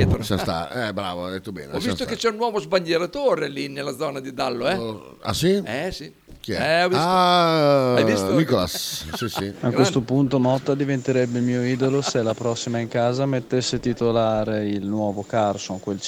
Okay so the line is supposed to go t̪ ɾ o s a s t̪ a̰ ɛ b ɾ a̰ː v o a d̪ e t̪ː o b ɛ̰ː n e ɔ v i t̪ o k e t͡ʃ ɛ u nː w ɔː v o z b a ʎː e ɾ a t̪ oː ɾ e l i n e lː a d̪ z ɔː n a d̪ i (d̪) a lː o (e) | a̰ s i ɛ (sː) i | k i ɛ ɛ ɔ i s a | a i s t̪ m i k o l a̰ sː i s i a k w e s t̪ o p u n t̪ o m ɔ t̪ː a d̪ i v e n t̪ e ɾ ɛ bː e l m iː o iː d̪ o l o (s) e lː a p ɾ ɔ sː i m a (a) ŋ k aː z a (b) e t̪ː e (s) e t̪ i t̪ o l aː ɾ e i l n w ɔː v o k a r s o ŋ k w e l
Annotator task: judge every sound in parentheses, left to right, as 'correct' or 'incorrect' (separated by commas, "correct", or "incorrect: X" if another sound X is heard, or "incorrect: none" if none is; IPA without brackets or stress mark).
correct, incorrect: ɛ, incorrect: s, correct, incorrect: i, incorrect: m, incorrect: sː